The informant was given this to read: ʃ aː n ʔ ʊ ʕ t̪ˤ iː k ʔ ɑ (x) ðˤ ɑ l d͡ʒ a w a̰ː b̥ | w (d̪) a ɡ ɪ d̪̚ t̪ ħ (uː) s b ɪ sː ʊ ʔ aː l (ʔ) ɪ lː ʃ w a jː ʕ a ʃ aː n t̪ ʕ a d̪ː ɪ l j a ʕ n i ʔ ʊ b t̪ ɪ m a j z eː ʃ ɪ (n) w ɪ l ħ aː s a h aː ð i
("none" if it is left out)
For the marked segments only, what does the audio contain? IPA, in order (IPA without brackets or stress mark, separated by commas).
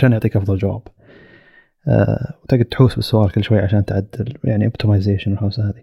f, t̪, uː, k, n